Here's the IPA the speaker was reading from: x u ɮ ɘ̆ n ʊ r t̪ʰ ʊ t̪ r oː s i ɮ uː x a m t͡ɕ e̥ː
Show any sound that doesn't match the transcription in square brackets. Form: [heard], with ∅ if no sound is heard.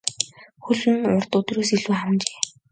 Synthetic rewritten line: x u ɮ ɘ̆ n ʊ r [t̪] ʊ t̪ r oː s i ɮ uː [χ] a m t͡ɕ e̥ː